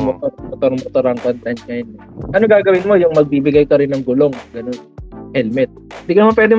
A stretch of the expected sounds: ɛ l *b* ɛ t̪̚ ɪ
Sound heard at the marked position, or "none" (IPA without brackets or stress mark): m